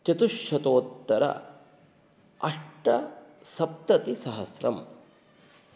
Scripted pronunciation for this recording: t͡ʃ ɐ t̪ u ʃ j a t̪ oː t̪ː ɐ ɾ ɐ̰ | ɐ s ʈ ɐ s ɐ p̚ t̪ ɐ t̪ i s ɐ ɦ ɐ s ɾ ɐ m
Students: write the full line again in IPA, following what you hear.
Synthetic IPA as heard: t͡ʃ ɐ t̪ u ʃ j ɐ t̪ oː t̪ː ɐ ɾ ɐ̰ | ɐ ʂ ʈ ɐ s ɐ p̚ t̪ ɐ t̪ i s ɐ ɦ ɐ s ɾ ɐ m